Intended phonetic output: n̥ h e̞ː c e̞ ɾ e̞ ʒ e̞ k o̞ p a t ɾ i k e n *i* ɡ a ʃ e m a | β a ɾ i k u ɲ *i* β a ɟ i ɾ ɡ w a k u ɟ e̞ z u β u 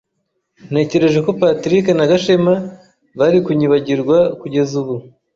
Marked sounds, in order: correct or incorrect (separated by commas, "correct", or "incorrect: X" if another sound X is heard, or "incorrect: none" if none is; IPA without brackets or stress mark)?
incorrect: a, correct